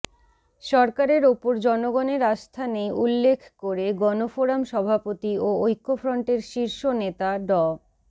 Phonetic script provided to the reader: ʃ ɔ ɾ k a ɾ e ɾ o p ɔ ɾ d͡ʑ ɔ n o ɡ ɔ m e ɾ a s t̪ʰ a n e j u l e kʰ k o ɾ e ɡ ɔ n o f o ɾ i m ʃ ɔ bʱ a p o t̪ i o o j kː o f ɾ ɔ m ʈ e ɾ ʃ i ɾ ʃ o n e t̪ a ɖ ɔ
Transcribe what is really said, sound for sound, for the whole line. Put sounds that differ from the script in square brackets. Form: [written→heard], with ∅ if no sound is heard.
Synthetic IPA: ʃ ɔ ɾ k a ɾ e ɾ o p [ɔ→o] ɾ d͡ʑ ɔ n o ɡ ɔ [m→n] e ɾ a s t̪ʰ a n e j u [l→lː] e kʰ k o ɾ e ɡ ɔ n o f o ɾ [i→a] m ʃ ɔ bʱ a p o t̪ i o o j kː o f ɾ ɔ [m→ɳ] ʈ e ɾ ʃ i ɾ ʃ o n e t̪ a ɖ ɔ